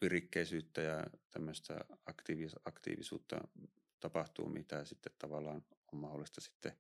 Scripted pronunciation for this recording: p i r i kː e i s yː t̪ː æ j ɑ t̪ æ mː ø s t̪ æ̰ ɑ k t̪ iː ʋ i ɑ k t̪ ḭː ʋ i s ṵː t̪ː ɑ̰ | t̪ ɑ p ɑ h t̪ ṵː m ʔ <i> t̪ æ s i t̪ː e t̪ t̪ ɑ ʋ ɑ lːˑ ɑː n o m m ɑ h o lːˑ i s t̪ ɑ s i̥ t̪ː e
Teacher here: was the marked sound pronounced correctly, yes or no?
yes